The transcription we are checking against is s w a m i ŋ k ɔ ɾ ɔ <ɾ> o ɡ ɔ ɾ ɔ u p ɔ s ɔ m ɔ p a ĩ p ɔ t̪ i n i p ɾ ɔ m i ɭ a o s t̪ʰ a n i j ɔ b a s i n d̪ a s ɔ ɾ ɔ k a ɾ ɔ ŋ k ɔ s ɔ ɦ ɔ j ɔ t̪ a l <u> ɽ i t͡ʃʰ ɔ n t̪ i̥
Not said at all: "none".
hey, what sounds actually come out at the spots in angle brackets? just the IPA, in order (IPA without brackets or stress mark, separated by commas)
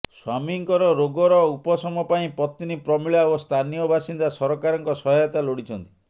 ɾ, o